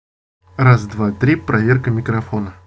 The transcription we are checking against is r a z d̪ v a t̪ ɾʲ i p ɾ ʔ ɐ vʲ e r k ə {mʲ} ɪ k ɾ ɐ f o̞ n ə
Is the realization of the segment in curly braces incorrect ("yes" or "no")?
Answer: no